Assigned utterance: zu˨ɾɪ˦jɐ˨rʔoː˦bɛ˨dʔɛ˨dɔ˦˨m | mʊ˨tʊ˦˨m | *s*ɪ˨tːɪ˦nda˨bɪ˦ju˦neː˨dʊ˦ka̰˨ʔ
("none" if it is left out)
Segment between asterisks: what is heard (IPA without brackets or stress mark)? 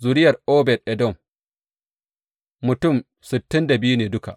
s